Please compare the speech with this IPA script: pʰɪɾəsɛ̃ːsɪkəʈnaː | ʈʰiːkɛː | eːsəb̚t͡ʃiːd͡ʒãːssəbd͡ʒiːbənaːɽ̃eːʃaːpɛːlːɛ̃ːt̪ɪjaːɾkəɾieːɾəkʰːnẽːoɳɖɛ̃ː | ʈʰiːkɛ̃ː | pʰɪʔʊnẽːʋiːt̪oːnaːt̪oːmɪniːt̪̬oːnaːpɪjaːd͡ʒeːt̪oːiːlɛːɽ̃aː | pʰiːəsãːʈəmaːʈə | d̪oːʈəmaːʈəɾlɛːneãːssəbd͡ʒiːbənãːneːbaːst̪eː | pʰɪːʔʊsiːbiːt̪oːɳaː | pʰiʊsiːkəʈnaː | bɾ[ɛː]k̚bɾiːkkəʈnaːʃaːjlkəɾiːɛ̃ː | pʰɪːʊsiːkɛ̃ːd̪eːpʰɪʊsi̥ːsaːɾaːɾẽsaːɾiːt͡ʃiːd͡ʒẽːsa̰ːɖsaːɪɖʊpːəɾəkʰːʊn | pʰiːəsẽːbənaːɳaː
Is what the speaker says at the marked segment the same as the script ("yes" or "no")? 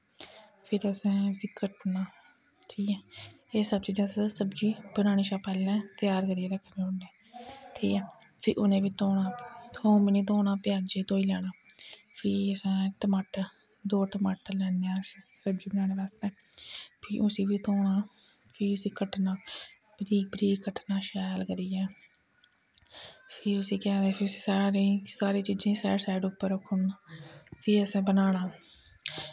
no